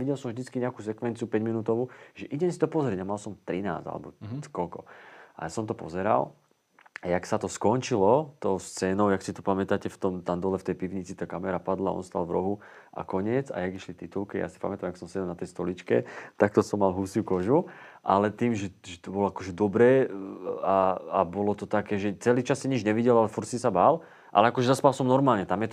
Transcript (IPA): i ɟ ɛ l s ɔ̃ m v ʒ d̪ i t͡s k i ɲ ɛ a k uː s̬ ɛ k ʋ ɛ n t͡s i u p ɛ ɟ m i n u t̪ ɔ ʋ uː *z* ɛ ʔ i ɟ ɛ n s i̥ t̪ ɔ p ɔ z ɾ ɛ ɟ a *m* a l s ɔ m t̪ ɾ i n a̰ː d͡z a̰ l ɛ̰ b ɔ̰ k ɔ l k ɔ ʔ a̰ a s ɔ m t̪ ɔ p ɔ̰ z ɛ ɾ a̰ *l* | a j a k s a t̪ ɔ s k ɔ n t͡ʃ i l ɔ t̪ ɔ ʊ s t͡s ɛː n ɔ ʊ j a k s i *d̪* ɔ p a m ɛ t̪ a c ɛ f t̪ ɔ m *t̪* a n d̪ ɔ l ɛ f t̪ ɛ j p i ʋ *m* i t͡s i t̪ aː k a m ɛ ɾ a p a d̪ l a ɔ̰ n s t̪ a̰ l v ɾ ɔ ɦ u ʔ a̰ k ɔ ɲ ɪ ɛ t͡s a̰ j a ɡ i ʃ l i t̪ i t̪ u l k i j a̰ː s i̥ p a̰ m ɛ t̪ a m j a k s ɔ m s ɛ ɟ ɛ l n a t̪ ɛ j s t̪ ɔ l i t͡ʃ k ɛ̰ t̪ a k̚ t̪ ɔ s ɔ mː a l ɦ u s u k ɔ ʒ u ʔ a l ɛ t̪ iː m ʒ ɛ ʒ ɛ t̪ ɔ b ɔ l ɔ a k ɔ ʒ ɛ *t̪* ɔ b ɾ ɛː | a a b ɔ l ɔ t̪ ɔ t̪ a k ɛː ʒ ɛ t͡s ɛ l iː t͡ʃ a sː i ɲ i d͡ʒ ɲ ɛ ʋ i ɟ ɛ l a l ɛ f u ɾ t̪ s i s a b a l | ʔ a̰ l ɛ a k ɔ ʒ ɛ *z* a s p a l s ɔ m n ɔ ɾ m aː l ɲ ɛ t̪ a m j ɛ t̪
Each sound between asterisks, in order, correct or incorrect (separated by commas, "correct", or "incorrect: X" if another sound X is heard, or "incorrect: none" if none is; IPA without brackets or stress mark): incorrect: ʒ, correct, correct, incorrect: t̪, correct, incorrect: ɲ, incorrect: d̪, correct